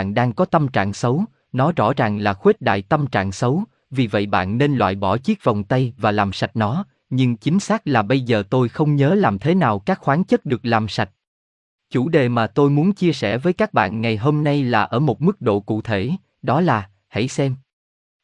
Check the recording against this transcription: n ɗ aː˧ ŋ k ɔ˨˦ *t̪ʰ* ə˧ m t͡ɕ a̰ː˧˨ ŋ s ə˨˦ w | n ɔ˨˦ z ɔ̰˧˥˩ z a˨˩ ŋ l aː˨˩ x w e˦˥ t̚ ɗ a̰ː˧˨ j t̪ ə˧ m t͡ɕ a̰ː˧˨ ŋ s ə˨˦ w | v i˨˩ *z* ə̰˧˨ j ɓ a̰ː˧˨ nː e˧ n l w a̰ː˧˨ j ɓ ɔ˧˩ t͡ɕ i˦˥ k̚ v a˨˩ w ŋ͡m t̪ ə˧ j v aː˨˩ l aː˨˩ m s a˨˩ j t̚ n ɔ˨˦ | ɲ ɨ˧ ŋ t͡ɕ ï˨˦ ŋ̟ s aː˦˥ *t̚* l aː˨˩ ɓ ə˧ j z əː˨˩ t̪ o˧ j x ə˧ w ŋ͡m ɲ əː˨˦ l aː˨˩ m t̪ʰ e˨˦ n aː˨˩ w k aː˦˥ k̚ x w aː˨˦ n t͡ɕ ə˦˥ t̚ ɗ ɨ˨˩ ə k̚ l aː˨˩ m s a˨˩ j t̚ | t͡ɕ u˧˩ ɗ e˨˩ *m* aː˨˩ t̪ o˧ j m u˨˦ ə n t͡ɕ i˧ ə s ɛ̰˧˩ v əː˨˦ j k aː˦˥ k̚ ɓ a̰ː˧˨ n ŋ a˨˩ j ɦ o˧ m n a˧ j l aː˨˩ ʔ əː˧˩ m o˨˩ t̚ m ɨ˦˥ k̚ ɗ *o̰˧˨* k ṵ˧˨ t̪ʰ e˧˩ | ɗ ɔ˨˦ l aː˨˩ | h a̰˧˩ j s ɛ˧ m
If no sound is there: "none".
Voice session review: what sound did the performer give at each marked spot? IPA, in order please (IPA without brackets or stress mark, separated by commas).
t̪, v, k̚, m, o̰˧˨